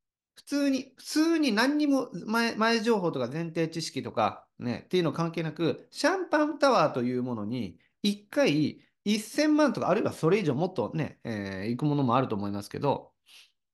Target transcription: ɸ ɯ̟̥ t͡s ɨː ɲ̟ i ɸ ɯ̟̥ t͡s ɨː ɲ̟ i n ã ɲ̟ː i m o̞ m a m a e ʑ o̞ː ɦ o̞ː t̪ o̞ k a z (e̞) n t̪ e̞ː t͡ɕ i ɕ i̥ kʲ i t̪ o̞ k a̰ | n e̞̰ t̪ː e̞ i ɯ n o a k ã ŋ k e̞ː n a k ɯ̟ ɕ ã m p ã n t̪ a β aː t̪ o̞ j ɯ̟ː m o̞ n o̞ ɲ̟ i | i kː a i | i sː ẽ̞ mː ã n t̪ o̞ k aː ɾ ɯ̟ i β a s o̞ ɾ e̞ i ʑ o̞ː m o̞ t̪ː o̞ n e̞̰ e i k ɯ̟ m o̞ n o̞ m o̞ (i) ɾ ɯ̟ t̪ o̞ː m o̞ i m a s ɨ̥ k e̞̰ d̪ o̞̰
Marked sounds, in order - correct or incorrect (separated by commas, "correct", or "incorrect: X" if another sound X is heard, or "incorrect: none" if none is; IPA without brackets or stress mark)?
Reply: incorrect: ẽ̞, incorrect: a